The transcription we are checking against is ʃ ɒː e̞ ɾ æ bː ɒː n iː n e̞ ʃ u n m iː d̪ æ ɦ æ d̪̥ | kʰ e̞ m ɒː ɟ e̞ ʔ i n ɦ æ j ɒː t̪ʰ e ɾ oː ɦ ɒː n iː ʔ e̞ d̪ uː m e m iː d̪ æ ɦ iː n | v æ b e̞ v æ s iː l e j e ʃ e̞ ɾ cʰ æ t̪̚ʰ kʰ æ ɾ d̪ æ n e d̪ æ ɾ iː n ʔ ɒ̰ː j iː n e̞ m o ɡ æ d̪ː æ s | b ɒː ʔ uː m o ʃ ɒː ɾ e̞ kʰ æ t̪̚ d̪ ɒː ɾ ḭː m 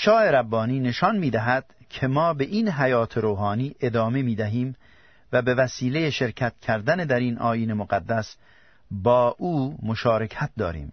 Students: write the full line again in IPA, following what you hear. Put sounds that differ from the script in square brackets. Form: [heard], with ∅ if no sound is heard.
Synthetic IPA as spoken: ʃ ɒː e̞ ɾ æ bː ɒː n iː n e̞ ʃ [ɒ] n m iː d̪ æ ɦ æ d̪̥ | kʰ e̞ m ɒː [b] e̞ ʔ i n ɦ æ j ɒː t̪ʰ e ɾ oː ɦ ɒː n iː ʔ e̞ d̪ [ɒː] m e m iː d̪ æ ɦ iː [m] | v æ b e̞ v æ s iː l e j e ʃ e̞ ɾ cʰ æ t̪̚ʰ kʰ æ ɾ d̪ æ n e d̪ æ ɾ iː n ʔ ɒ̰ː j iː n e̞ m o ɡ æ d̪ː æ s | b ɒː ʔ uː m o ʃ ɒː ɾ e̞ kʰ æ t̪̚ d̪ ɒː ɾ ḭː m